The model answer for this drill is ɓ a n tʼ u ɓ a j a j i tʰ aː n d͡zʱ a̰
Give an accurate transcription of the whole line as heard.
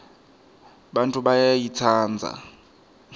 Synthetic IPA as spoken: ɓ a n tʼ u ɓ a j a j i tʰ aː n d͡zʱ a̰